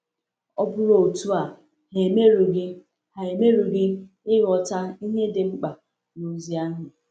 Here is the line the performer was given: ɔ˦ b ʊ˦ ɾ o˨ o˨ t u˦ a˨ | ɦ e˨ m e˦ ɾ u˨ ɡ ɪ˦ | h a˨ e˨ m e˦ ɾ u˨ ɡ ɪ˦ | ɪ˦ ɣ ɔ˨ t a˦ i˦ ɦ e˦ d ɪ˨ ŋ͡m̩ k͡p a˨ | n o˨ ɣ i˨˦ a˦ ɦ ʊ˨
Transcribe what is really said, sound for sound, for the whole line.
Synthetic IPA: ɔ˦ b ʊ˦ ɾ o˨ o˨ t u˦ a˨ | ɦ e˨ m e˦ ɾ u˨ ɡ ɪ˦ | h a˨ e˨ m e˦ ɾ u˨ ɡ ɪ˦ | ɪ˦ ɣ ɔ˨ t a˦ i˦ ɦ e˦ d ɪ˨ ŋ͡m̩ k͡p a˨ | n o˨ z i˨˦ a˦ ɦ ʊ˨